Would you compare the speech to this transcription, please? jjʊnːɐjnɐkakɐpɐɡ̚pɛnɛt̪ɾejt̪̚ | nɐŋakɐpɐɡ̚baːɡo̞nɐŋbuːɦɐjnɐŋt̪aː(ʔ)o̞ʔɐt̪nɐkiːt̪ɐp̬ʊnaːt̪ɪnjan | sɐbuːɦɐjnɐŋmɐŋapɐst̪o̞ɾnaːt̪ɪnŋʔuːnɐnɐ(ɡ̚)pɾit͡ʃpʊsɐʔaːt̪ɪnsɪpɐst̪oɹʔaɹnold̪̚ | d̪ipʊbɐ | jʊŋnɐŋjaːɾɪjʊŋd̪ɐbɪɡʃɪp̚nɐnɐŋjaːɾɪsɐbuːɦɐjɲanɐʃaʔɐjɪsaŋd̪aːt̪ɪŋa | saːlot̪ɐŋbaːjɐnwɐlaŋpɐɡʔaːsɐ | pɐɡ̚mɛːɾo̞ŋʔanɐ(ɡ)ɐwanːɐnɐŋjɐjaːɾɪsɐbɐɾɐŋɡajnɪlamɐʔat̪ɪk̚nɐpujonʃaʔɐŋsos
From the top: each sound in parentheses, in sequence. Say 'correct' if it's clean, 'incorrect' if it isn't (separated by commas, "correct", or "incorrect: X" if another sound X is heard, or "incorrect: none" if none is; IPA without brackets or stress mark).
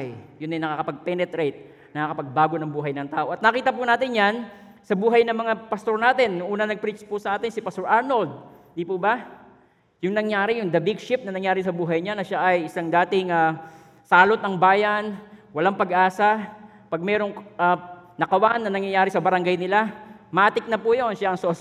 correct, correct, incorrect: k